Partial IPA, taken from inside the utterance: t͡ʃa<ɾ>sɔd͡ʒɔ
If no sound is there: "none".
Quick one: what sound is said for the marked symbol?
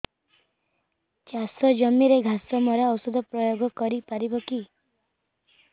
none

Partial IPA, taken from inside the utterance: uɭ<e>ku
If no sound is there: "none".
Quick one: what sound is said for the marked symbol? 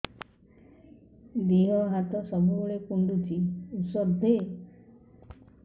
e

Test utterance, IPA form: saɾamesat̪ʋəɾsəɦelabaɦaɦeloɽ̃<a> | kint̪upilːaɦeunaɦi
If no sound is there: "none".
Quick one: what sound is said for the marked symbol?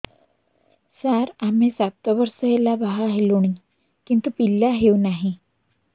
i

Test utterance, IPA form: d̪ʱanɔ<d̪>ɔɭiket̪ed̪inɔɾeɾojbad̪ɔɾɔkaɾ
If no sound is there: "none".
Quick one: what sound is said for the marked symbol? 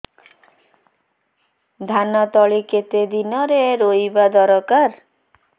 t̪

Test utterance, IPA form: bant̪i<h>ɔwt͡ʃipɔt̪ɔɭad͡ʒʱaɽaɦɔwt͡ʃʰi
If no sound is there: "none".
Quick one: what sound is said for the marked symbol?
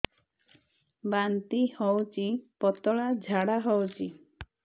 h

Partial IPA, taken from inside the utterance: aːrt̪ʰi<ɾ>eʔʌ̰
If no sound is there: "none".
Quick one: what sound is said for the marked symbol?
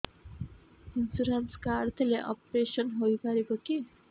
l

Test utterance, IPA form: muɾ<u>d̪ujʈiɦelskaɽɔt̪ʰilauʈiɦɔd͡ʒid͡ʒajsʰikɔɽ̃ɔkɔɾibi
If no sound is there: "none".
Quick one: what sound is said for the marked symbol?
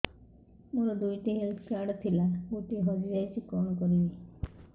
ɔ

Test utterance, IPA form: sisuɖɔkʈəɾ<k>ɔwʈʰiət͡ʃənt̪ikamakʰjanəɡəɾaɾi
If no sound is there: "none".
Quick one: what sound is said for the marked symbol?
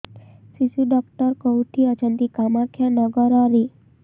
k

